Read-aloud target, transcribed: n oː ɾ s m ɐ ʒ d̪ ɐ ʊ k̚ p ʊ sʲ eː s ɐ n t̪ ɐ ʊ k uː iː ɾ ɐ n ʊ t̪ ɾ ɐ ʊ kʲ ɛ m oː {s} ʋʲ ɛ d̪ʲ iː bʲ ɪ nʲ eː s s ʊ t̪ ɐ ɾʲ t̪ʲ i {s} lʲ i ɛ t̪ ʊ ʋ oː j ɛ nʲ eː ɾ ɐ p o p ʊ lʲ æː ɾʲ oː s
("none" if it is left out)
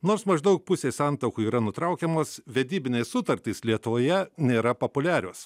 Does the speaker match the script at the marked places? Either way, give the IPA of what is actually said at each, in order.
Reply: s, s

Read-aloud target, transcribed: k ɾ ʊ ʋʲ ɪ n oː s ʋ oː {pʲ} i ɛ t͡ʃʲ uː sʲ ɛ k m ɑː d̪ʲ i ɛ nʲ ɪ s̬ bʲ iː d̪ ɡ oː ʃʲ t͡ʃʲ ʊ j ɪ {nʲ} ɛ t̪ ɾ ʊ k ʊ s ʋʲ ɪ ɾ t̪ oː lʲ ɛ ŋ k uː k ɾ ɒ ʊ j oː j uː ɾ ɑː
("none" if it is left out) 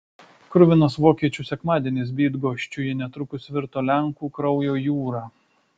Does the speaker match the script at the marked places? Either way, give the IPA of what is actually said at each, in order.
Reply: kʲ, nʲ

